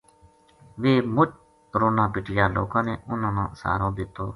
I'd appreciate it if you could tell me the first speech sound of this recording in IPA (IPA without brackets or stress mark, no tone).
ʋ